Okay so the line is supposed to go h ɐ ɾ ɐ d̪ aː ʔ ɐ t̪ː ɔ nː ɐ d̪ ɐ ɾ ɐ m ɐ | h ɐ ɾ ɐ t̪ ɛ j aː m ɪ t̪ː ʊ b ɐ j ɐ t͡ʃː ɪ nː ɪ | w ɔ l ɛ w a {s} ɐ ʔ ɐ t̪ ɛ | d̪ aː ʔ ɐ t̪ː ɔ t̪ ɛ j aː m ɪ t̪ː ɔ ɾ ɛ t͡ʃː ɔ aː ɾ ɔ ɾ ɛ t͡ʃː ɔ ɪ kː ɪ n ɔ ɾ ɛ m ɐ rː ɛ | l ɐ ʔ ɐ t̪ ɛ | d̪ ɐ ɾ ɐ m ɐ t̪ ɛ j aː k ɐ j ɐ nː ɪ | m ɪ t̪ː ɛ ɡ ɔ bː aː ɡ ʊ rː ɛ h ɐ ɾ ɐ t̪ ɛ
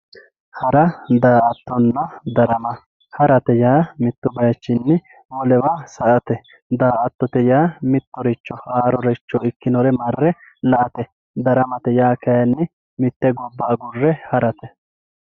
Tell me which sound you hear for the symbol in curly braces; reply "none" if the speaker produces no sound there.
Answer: s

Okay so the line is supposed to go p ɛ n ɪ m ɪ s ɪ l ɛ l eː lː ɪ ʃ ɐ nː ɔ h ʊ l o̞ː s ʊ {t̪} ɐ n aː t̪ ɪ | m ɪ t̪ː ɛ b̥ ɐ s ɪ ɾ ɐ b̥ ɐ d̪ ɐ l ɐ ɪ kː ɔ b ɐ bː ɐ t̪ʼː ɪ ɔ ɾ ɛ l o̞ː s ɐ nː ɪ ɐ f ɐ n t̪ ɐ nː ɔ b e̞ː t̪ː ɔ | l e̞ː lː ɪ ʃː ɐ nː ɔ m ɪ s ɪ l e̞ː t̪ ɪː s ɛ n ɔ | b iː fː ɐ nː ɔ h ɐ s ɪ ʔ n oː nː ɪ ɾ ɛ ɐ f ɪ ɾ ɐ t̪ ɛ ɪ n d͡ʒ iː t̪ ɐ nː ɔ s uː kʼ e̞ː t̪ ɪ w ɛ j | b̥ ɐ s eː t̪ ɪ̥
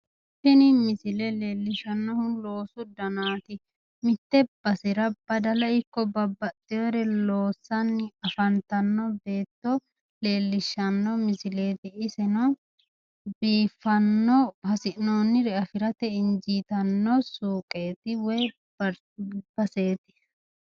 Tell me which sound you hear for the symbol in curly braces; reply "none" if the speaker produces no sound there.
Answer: d̪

